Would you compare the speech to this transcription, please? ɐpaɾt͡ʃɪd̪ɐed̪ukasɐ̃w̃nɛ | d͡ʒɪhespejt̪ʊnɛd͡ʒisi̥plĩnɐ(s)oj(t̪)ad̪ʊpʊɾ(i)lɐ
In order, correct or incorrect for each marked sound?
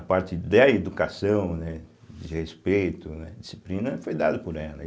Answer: incorrect, incorrect, incorrect

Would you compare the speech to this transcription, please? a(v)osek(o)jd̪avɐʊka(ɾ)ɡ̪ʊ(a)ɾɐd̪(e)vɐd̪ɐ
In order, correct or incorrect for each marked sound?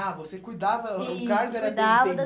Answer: correct, incorrect, correct, incorrect, incorrect

